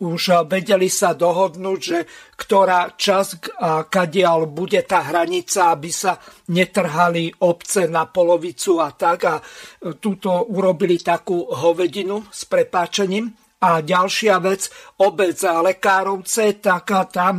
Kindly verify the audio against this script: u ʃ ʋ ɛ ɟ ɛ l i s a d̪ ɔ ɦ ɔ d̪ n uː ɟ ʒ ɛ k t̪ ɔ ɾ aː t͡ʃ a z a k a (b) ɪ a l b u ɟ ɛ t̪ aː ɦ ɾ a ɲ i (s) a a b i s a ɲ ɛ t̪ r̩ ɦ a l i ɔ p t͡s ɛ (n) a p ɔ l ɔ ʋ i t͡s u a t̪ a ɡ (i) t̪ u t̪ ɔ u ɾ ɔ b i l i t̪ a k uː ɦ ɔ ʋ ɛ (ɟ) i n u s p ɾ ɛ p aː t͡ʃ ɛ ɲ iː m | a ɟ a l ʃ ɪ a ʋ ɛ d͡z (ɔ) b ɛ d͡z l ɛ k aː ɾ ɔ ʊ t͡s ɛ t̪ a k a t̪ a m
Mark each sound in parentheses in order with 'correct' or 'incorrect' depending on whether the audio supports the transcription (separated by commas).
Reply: incorrect, incorrect, correct, incorrect, correct, correct